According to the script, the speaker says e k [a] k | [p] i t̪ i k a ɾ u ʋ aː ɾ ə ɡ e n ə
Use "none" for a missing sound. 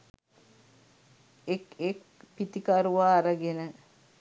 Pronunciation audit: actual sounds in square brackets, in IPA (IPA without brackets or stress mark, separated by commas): e, p